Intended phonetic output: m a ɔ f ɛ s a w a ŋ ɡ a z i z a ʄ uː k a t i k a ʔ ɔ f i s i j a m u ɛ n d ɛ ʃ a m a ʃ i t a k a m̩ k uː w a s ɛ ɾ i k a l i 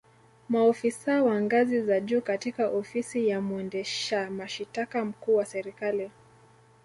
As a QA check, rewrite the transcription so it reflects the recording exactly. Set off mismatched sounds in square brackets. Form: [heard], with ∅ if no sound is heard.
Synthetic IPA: m a ɔ f [i] s a w a ŋ ɡ a z i z a ʄ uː k a t i k a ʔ ɔ f i s i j a m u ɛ n d ɛ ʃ a m a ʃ i t a k a m̩ k uː w a s ɛ ɾ i k a l i